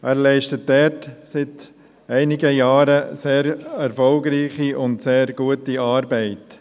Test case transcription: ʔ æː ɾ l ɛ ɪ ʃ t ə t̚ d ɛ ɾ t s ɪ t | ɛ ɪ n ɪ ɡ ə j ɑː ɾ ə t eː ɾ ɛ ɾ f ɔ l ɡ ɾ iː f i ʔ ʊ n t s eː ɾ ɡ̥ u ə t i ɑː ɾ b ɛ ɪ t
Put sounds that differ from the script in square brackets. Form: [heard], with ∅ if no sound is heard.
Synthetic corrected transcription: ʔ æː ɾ l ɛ ɪ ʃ t ə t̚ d ɛ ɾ t s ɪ t | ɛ ɪ n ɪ ɡ ə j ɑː ɾ ə [s] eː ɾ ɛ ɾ f ɔ l ɡ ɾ iː [χ] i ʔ ʊ n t s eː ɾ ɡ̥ u ə t i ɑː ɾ b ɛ ɪ t

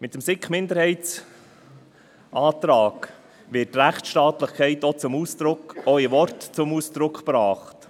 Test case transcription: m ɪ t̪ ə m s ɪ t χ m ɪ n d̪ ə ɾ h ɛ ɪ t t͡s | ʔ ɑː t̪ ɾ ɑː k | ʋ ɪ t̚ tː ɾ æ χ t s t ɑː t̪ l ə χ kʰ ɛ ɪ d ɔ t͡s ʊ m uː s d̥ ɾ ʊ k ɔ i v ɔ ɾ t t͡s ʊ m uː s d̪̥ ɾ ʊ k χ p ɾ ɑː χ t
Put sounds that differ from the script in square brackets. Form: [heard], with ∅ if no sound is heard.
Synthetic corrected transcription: m ɪ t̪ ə m s ɪ [k] χ m ɪ n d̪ ə ɾ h ɛ ɪ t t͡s | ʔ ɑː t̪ ɾ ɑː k | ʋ ɪ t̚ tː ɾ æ χ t [ʃ] t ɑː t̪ l ə χ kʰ ɛ ɪ [t] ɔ t͡s ʊ m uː s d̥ ɾ ʊ k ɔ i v ɔ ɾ t t͡s ʊ m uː s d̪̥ ɾ ʊ k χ p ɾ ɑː χ t

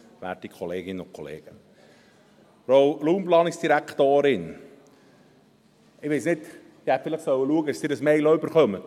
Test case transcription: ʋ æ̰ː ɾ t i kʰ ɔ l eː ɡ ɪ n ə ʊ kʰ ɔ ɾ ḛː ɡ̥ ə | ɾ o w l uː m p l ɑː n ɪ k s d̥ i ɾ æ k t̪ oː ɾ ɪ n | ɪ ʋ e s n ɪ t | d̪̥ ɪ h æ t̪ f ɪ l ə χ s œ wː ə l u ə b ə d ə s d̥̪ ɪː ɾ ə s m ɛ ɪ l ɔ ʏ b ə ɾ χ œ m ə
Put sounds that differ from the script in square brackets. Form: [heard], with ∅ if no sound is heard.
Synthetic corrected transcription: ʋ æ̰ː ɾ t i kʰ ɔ l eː ɡ ɪ n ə ʊ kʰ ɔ [l] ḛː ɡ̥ ə | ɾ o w l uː m p l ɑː n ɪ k s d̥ i ɾ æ k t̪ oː ɾ ɪ n | ɪ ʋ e s n ɪ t | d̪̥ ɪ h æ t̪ f ɪ l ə χ s œ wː ə l u ə [ɡ] ə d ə s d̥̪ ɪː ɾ ə s m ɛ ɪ l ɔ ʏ b ə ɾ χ œ m ə

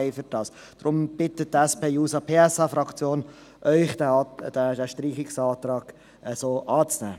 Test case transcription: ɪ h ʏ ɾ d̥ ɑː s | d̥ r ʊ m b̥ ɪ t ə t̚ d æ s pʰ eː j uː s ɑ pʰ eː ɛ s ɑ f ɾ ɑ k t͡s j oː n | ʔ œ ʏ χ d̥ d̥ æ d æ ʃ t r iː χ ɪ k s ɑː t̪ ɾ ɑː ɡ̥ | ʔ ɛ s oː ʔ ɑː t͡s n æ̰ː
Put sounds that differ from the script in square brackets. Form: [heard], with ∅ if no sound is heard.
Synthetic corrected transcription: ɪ [f] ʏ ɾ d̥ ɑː s | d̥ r ʊ m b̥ ɪ t ə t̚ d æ s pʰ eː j uː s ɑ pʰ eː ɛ s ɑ f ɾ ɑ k t͡s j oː n | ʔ œ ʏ χ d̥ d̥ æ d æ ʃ t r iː χ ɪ k s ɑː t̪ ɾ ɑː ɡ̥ | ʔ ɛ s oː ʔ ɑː t͡s n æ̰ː

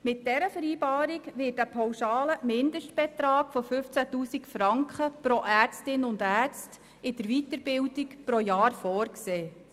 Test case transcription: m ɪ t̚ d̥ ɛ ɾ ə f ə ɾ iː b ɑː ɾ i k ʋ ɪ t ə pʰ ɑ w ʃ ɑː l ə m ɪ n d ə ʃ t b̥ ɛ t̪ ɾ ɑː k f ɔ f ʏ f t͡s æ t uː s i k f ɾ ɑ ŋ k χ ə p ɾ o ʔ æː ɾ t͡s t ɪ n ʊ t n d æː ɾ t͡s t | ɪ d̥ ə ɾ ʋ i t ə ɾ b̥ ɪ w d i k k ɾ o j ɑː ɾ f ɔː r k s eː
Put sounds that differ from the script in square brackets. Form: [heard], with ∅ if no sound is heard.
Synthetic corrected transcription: m ɪ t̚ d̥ ɛ ɾ ə f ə ɾ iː b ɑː ɾ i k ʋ ɪ t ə pʰ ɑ w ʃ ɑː l ə m ɪ n d ə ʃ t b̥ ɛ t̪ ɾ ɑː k f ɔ f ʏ f t͡s æ t uː s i k f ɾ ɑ ŋ k χ ə p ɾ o ʔ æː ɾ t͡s t ɪ n ʊ [∅] n d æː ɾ t͡s t | ɪ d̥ ə ɾ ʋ i t ə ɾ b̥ ɪ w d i k [p] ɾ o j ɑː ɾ f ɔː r k s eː

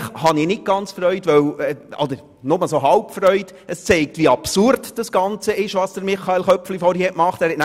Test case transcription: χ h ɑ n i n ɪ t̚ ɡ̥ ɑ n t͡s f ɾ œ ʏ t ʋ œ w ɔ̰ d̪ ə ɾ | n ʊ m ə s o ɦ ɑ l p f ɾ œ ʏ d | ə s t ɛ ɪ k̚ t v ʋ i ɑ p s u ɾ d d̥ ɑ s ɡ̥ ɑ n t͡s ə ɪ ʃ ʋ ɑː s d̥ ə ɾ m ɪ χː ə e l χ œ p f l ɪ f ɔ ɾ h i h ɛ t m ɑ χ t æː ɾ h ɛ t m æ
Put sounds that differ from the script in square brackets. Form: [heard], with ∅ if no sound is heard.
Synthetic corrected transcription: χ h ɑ n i n ɪ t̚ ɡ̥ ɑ n t͡s f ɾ œ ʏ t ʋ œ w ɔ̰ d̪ ə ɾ | n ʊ m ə s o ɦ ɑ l p f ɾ œ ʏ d | ə s [t͡s] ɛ ɪ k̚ t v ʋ i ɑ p s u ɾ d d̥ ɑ s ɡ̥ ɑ n t͡s ə ɪ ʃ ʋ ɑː s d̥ ə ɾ m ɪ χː [ɑ] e l χ œ p f l [i] f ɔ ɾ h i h ɛ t m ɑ χ t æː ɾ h ɛ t [n] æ

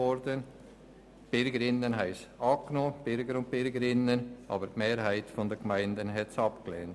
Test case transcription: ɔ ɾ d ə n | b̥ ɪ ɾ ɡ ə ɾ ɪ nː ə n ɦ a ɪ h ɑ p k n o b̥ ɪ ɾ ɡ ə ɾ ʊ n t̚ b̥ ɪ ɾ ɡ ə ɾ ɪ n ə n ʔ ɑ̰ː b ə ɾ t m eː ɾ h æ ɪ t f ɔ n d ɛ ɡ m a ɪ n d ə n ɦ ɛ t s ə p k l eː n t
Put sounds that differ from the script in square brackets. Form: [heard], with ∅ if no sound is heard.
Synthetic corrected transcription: ɔ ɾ d ə n | b̥ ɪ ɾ ɡ ə ɾ ɪ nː ə n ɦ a ɪ [s] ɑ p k n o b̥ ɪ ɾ ɡ ə ɾ ʊ n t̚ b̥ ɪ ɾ ɡ ə ɾ ɪ n ə n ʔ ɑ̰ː b ə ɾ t m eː ɾ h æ ɪ t f ɔ n d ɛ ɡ m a ɪ n d ə n ɦ ɛ t s [ɑ] p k l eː n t

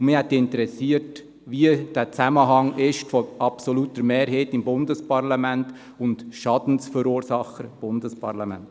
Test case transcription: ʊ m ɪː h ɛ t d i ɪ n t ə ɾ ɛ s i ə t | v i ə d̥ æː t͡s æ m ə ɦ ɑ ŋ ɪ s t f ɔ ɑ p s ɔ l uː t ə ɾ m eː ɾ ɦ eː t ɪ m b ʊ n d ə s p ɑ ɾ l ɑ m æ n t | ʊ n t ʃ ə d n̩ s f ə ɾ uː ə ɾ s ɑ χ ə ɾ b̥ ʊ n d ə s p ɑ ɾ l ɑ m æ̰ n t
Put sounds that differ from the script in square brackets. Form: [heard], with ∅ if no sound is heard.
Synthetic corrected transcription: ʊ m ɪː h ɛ t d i ɪ n t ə ɾ ɛ s i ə t | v i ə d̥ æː t͡s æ m ə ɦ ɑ ŋ ɪ [ʃ] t f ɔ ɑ p s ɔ l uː t ə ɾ m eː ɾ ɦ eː t ɪ m b ʊ n d ə s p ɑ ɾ l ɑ m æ n t | ʊ n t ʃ [ɑ] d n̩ s f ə ɾ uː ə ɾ s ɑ χ ə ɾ b̥ ʊ n d ə s p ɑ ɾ l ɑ m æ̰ n t

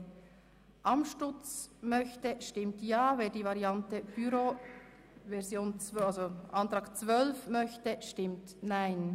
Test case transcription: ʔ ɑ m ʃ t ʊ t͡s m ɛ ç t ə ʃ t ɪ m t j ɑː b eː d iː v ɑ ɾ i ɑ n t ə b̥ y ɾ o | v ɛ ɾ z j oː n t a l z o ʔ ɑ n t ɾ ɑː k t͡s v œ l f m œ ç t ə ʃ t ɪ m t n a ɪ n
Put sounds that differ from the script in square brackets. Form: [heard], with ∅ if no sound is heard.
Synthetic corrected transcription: ʔ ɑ m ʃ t ʊ t͡s m [œ] ç t ə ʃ t ɪ m t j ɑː [v] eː d iː v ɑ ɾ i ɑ n t ə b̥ y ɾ o | v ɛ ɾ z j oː n [t͡s] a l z o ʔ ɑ n t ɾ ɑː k t͡s v œ l f m œ ç t ə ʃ t ɪ m t n a ɪ n

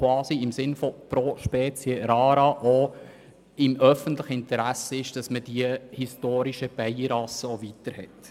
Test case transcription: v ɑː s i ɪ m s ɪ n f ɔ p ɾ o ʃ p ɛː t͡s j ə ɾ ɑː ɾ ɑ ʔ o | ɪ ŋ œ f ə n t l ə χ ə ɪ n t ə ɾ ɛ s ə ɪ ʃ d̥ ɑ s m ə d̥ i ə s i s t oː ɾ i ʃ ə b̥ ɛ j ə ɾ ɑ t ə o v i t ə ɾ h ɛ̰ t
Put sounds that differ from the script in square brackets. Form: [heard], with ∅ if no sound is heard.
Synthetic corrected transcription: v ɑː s i ɪ m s ɪ n f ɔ p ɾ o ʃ p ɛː t͡s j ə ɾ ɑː ɾ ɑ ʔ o | ɪ [m] œ f ə n t l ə χ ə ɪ n t ə ɾ [æ] s ə ɪ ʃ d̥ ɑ s m ə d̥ i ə [h] i s t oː ɾ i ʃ ə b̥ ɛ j ə ɾ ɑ [s] ə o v i t ə ɾ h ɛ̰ t

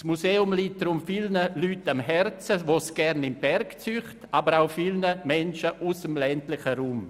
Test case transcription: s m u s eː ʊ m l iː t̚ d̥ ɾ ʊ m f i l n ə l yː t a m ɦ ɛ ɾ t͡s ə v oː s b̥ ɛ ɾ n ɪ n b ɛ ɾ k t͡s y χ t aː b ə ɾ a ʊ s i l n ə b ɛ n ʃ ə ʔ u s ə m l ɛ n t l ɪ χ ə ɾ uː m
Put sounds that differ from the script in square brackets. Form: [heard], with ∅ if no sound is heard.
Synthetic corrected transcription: s m u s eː ʊ m l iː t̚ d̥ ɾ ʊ m f i l n ə l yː t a m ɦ ɛ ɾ t͡s ə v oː s [ɡ̥] ɛ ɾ n ɪ [m] b ɛ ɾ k t͡s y χ t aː b ə ɾ a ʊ [f] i l n ə [m] ɛ n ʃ ə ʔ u s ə m l ɛ n t l ɪ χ ə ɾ uː m

